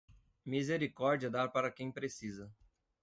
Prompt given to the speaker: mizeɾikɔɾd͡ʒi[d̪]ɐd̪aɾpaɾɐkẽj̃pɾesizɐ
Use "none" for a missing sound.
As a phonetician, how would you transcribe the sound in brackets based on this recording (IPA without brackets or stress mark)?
none